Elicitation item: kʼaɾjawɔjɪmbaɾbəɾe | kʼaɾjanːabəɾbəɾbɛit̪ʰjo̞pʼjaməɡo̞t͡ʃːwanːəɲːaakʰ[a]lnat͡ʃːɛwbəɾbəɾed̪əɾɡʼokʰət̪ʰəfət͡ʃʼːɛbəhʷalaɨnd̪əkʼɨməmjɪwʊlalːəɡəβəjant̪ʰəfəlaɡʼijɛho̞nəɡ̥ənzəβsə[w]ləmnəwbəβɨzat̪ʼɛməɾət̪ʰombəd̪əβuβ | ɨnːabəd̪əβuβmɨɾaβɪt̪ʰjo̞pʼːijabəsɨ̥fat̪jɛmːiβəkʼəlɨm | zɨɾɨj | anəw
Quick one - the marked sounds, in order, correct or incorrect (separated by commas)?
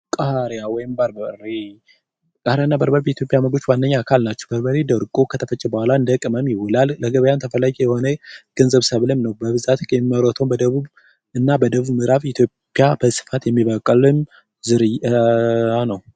correct, incorrect